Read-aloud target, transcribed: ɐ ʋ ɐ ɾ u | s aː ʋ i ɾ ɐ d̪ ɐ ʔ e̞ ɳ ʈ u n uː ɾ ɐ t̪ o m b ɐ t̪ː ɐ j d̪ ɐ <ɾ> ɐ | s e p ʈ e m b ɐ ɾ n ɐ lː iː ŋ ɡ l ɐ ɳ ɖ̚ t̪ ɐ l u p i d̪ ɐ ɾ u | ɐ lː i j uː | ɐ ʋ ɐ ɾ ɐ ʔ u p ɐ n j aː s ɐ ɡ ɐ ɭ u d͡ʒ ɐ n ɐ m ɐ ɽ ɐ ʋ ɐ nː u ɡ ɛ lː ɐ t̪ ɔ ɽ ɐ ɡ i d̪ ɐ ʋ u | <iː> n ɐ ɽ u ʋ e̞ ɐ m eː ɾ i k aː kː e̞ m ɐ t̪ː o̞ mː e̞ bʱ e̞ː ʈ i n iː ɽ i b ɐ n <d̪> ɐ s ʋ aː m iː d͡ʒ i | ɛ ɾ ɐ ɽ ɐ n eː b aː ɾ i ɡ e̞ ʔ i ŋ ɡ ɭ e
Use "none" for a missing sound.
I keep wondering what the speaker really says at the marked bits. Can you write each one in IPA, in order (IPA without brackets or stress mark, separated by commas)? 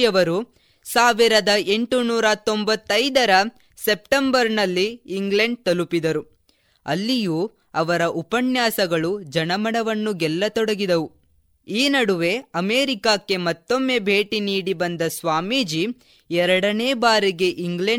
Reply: ɾ, iː, d̪